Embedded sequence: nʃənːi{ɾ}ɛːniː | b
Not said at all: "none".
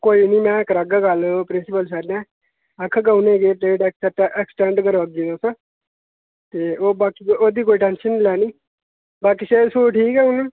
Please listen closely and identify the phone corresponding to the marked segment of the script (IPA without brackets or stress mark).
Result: l